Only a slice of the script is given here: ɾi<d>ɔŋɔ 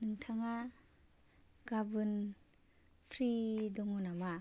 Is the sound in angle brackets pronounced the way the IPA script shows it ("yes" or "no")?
yes